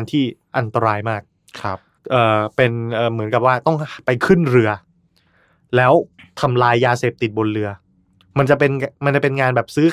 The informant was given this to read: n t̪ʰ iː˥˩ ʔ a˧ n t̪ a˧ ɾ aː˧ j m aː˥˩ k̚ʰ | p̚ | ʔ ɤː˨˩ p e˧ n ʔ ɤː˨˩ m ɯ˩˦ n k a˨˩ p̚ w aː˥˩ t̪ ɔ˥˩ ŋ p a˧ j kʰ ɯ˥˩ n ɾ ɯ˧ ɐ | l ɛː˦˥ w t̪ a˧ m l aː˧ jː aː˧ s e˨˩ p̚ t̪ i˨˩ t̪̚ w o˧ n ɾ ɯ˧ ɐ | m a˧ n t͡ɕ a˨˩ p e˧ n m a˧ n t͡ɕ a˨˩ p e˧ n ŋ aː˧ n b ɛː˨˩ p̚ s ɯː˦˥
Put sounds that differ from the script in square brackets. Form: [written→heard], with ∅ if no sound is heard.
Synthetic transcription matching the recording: n t̪ʰ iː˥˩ ʔ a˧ n t̪ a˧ ɾ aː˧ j m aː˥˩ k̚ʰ | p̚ | ʔ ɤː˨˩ p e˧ n ʔ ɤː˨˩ m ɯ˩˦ n k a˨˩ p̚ w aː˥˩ t̪ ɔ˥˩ ŋ p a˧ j kʰ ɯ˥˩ n ɾ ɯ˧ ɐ | l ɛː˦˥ w [t̪→t̪ʰ] a˧ m l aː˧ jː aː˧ s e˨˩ p̚ t̪ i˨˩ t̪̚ [w→b] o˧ n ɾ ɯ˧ ɐ | m a˧ n t͡ɕ a˨˩ p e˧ n m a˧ n t͡ɕ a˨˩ p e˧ n ŋ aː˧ n b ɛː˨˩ p̚ s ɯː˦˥